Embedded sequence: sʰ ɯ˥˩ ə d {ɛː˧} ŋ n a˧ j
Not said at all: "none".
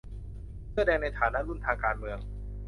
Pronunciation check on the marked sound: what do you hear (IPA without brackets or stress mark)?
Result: ɛː˧